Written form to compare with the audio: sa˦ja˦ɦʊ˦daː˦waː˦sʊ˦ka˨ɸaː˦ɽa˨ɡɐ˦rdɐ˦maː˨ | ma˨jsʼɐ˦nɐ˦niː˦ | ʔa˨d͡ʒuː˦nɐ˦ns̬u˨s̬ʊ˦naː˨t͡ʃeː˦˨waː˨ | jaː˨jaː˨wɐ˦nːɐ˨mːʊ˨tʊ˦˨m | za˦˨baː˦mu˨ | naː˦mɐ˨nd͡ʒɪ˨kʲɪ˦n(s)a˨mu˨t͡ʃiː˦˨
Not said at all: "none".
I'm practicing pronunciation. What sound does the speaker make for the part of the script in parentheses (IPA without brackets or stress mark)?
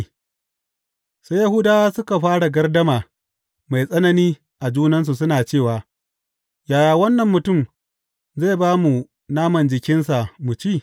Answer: s